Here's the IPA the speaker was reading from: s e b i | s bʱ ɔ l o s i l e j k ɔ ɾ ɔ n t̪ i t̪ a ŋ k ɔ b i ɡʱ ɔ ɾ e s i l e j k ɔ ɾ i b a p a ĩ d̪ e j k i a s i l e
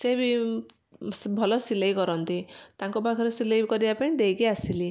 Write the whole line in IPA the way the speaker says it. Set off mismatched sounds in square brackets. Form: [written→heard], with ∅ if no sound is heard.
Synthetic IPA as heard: s e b i | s bʱ ɔ l [o→ɔ] s i l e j k ɔ ɾ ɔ n t̪ i t̪ a ŋ k ɔ b [i→a] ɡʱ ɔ ɾ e s i l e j k ɔ ɾ i b a p a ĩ d̪ e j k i a s i l [e→i]